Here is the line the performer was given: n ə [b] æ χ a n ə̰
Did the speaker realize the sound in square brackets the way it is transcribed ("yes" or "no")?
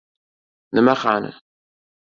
no